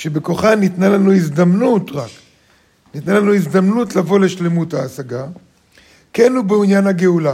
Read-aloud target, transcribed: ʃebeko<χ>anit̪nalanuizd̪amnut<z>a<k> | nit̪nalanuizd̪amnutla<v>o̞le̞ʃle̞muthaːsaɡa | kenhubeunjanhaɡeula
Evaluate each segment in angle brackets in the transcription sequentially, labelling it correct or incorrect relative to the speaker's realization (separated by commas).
correct, incorrect, correct, correct